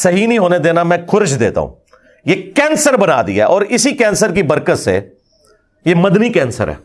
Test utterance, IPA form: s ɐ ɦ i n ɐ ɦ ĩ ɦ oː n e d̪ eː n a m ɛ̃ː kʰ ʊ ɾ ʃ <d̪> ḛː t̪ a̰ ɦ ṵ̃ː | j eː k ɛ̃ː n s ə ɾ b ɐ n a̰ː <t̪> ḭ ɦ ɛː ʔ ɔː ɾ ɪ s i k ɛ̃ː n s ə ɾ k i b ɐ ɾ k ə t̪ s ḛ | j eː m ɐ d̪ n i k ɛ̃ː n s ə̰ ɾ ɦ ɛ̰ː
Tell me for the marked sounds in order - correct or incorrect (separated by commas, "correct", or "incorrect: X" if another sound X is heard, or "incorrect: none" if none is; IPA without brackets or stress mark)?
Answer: correct, incorrect: d̪